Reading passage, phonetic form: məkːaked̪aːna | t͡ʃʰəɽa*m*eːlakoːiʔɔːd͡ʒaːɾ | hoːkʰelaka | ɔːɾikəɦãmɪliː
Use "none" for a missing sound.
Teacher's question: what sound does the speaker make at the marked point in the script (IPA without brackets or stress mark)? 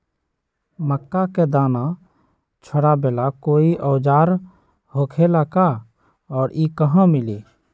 b